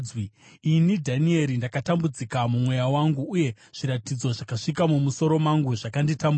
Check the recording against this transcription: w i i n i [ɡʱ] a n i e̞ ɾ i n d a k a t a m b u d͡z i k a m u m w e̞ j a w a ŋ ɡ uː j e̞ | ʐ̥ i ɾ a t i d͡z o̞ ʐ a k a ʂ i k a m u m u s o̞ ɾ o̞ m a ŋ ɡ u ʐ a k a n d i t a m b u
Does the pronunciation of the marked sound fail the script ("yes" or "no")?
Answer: yes